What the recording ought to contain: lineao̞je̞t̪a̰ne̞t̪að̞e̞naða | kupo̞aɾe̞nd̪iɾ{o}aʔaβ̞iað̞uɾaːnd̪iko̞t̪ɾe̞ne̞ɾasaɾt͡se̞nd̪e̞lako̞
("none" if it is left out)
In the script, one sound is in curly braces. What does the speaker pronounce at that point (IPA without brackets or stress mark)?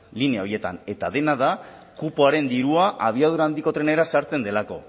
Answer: u